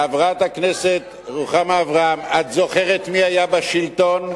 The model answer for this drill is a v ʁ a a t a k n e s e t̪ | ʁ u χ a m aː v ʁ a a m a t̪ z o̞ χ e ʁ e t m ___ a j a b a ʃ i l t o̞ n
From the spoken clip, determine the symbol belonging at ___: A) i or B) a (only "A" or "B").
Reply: A